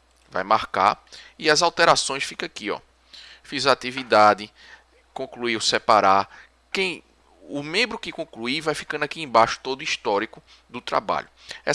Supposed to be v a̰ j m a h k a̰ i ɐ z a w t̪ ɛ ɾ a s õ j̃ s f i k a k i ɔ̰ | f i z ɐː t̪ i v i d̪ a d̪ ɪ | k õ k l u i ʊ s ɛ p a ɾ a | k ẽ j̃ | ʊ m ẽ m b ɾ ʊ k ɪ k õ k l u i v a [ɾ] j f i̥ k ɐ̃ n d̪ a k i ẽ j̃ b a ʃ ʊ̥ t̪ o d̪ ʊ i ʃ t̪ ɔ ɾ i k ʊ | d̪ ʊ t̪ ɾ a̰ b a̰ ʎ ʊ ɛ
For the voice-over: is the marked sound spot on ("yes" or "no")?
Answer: no